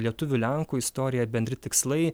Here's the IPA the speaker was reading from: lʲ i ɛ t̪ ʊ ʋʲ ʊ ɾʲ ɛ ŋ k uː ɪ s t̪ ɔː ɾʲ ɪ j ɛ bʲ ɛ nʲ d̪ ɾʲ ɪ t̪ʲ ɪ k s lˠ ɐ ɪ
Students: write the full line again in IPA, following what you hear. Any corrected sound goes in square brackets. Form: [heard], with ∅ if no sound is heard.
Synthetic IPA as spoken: lʲ i ɛ t̪ ʊ ʋʲ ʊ [lʲ] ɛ ŋ k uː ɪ s t̪ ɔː ɾʲ ɪ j ɛ bʲ ɛ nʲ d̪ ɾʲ ɪ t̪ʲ ɪ k s lˠ ɐ ɪ